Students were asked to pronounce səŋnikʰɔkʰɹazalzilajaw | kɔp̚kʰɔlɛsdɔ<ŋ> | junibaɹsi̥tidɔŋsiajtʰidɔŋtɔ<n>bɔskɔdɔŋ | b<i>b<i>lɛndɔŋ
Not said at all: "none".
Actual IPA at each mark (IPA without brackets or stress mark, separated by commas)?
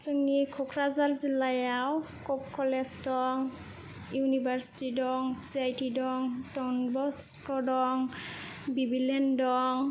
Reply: ŋ, n, i, i